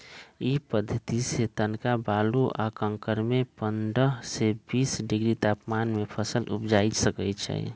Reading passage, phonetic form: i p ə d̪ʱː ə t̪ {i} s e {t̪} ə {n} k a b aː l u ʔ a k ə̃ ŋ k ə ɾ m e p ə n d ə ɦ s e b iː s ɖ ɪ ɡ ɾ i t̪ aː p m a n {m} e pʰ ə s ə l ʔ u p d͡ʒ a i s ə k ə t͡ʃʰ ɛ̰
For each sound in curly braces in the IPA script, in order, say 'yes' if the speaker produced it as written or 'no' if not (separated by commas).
yes, yes, yes, yes